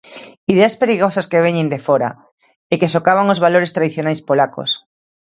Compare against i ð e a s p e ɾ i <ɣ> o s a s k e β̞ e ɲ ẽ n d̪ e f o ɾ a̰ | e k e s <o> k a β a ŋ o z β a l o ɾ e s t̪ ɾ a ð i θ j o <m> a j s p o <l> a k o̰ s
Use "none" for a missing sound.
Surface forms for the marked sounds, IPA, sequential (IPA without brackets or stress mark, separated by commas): ɣ, o, n, l